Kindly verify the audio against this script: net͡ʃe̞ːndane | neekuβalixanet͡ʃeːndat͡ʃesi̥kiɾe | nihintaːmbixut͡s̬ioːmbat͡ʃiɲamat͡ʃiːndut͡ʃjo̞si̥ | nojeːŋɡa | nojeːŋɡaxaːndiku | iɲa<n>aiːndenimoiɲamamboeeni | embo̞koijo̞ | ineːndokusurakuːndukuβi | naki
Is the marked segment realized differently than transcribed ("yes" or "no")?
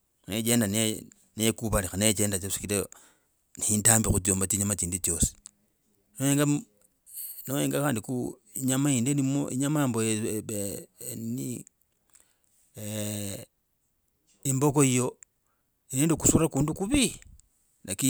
yes